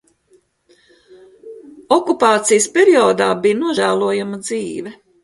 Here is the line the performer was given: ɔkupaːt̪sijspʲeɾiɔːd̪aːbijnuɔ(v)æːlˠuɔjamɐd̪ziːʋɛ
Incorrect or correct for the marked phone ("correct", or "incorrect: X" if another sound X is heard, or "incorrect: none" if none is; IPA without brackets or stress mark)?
incorrect: ʒ